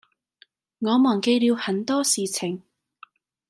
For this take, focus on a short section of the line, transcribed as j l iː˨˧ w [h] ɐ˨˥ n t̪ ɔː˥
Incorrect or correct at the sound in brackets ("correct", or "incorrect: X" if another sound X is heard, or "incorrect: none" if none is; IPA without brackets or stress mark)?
correct